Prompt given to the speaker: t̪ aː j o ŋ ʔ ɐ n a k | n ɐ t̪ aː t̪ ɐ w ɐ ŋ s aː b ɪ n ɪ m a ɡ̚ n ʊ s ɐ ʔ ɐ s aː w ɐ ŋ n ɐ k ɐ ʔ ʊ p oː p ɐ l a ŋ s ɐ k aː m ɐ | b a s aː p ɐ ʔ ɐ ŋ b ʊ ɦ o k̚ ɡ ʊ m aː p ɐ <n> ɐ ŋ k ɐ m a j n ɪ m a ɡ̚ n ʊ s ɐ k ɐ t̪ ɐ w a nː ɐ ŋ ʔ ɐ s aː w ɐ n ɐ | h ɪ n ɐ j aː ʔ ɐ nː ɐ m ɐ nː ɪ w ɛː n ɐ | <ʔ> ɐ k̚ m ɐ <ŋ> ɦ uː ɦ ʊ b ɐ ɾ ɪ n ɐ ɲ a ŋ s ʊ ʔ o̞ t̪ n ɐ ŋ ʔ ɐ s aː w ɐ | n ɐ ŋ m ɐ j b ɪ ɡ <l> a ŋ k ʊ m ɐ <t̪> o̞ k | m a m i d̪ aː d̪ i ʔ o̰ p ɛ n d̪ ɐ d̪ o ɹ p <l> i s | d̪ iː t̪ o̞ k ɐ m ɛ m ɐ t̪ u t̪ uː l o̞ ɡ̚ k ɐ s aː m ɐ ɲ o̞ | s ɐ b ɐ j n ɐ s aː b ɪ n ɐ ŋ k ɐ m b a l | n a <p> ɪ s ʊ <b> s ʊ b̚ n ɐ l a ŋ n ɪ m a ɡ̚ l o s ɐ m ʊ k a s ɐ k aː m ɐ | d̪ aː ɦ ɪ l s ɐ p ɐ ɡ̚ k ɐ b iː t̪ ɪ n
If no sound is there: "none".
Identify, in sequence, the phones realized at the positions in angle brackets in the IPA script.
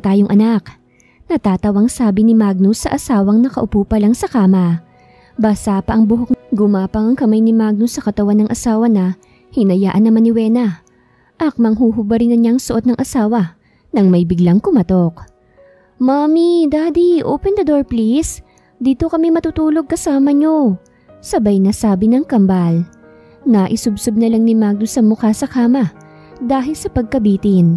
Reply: ŋ, ʔ, ŋ, l, t̪, l, ʔ, b

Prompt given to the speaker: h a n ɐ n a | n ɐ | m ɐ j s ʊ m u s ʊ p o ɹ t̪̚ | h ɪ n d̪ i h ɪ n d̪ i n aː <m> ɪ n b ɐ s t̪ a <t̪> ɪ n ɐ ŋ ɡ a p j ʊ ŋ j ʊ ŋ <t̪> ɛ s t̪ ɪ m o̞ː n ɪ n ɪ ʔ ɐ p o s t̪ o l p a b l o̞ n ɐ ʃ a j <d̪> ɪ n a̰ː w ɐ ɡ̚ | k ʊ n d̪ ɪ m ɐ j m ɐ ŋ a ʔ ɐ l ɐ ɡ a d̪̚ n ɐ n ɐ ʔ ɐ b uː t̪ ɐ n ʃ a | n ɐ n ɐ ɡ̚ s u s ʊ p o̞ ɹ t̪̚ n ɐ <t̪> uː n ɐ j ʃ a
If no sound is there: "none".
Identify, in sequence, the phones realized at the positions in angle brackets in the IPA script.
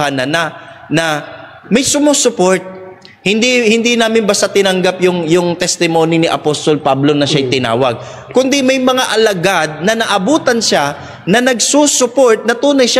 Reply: m, t̪, t̪, t̪, t̪

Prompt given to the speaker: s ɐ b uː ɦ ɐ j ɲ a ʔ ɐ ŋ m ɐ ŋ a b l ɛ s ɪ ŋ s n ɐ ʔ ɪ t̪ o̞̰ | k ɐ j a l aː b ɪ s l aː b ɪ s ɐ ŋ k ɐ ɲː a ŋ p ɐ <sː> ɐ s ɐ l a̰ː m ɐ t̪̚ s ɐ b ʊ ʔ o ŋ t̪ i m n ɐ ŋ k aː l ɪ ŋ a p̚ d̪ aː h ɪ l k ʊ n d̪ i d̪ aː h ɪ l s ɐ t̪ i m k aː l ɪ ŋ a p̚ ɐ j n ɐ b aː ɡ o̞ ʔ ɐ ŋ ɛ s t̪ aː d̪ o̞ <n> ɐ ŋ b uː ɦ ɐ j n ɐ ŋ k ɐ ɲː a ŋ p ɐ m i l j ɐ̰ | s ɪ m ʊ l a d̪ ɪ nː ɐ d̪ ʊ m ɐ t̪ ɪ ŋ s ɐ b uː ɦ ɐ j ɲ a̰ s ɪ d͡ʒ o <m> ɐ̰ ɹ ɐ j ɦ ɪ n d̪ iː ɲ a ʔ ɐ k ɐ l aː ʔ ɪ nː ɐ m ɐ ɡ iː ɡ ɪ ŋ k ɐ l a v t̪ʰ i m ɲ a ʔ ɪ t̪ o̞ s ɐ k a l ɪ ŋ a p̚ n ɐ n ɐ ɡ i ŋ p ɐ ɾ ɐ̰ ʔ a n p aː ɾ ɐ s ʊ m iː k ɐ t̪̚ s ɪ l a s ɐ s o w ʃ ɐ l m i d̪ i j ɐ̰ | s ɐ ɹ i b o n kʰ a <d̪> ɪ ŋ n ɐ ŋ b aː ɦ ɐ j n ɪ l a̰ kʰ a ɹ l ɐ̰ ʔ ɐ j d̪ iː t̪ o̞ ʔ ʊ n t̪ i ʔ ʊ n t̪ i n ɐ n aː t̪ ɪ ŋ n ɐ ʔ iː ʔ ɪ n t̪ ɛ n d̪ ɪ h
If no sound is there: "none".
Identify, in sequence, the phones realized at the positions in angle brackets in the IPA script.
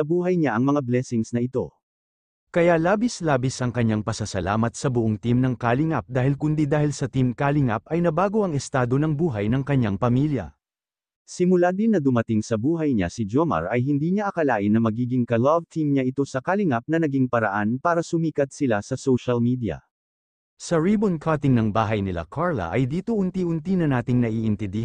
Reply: s, n, m, t̪

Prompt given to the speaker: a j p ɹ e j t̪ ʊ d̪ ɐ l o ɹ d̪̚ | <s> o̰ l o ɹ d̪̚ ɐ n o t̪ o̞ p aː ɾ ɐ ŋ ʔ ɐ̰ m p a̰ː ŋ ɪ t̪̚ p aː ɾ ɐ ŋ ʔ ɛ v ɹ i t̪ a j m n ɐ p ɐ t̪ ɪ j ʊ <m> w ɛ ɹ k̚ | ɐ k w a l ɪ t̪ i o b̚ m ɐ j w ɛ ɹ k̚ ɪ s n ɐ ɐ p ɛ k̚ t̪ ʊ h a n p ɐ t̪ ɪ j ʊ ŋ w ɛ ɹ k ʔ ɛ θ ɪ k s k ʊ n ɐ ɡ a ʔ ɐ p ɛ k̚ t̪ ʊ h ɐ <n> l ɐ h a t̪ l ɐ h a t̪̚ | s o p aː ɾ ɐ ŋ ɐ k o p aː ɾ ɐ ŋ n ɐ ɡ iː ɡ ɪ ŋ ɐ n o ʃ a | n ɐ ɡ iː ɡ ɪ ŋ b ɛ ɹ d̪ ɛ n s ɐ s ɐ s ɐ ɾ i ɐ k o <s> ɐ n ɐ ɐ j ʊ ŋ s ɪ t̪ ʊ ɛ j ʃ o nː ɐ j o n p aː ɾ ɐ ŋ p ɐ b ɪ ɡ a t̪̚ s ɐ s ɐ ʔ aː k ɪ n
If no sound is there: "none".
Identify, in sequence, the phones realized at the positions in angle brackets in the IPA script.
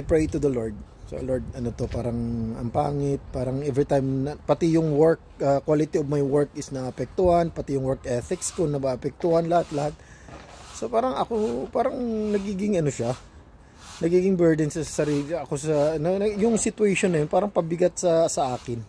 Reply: s, ŋ, n, s

